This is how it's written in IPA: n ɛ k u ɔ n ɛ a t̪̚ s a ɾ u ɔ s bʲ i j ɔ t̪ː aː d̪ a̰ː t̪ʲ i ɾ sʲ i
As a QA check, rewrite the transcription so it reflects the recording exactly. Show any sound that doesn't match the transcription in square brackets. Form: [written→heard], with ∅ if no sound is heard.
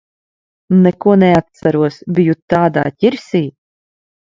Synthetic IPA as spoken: n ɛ k u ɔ n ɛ a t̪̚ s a ɾ u ɔ s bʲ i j [ɔ→u] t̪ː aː d̪ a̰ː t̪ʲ i ɾ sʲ [i→iː]